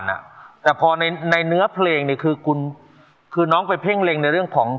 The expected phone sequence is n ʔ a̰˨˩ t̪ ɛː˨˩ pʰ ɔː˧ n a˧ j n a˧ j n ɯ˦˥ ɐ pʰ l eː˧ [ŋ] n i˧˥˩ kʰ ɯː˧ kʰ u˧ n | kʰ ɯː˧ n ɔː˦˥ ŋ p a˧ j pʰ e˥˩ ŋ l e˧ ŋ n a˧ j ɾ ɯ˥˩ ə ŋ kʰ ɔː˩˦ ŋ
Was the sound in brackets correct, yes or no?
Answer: yes